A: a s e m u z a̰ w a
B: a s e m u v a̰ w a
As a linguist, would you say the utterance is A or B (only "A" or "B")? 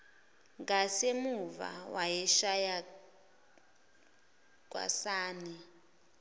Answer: B